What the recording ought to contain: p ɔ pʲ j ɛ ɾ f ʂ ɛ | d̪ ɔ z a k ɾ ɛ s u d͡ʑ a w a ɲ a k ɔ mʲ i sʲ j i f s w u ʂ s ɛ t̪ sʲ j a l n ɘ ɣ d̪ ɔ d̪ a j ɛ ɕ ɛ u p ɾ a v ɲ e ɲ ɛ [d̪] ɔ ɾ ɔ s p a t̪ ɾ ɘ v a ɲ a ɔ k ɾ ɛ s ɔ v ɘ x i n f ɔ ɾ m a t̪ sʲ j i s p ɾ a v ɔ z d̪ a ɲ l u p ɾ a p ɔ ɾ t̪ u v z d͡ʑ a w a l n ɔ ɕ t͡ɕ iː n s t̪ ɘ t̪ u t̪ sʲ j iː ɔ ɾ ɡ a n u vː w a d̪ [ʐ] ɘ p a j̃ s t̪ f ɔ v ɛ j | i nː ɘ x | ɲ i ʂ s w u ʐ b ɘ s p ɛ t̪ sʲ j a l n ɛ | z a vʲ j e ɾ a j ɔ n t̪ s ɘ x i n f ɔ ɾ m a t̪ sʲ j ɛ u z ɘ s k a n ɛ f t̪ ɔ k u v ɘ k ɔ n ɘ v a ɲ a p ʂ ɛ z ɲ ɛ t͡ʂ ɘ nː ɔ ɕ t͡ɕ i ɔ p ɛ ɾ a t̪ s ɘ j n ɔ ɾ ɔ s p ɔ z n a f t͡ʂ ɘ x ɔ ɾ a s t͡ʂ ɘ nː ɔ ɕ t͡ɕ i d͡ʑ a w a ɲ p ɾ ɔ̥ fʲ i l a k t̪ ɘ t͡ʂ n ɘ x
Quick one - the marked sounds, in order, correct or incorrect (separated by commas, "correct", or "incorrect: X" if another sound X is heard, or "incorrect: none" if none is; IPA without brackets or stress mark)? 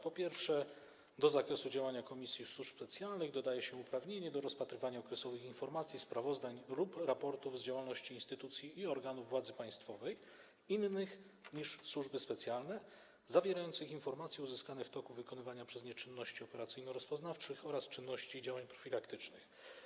correct, incorrect: z